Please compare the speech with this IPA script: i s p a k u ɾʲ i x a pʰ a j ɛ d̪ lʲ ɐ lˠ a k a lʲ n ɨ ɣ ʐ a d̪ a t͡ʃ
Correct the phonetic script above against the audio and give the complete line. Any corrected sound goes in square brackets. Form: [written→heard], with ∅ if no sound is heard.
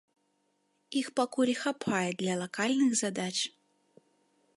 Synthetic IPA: i [s→x] p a k u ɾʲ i x a pʰ a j ɛ d̪ lʲ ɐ lˠ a k a lʲ n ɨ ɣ [ʐ→z] a d̪ a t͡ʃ